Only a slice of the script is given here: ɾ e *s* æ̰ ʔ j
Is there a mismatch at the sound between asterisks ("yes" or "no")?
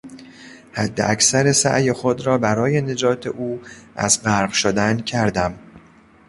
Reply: no